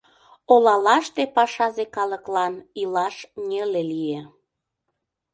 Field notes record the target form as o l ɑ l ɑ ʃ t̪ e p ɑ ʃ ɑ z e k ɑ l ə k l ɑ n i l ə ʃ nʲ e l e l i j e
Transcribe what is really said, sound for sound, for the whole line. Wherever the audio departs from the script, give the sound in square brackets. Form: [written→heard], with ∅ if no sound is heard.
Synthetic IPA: o l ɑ l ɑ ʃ t̪ e p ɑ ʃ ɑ z e k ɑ l ə k l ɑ n i l [ə→ɑ] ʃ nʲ e l e l i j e